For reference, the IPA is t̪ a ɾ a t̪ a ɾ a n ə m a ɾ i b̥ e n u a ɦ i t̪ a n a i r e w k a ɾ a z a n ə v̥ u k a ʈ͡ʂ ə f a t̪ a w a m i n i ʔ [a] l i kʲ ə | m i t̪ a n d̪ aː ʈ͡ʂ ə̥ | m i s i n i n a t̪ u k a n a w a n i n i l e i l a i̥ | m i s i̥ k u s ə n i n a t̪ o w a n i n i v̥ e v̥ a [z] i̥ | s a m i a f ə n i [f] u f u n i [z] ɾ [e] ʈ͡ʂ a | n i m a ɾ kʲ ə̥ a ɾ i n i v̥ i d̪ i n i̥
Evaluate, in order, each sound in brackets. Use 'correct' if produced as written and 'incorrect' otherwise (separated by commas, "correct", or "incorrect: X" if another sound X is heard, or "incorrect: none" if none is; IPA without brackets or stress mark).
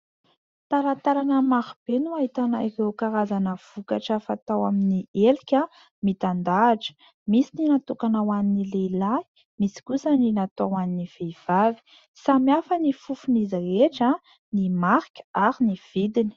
incorrect: e, incorrect: v, correct, correct, correct